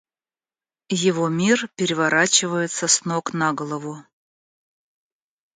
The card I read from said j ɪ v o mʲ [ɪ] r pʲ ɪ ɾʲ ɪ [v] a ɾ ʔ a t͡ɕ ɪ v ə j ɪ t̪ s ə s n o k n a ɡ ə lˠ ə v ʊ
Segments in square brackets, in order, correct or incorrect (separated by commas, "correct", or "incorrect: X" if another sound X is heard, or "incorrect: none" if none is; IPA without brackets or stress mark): incorrect: i, correct